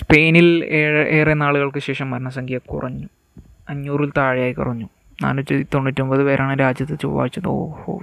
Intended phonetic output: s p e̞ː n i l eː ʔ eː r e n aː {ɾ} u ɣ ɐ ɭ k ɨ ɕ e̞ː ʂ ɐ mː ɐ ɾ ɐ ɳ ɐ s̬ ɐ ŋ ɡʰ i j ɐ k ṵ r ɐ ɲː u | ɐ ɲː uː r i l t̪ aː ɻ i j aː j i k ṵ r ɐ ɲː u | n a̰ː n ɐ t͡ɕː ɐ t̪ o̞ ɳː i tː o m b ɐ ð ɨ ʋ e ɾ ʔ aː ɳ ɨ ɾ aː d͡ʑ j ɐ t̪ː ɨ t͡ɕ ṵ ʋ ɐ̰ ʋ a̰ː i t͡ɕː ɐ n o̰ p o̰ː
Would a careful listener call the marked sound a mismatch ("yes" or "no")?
yes